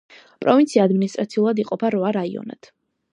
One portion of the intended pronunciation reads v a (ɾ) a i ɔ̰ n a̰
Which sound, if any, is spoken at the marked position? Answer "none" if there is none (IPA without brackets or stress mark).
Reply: ɾ